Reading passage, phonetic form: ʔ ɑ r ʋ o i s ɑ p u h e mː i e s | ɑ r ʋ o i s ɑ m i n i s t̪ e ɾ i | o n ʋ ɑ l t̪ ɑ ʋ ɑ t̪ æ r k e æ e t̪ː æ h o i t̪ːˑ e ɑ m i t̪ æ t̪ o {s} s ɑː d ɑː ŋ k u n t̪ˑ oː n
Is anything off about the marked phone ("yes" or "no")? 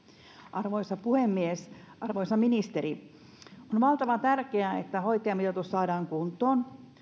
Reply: no